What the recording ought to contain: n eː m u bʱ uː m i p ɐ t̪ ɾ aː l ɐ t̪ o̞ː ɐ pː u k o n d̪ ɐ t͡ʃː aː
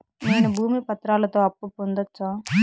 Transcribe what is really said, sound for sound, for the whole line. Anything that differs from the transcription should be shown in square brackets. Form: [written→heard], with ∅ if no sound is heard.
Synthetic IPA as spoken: n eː [m→n] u bʱ uː m i p ɐ t̪ ɾ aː l ɐ t̪ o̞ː ɐ pː u [k→p] o n d̪ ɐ t͡ʃː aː